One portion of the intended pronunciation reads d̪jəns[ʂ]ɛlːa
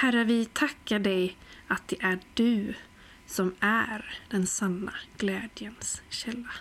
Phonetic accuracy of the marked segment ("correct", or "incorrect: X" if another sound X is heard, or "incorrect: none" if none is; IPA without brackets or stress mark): incorrect: ɕ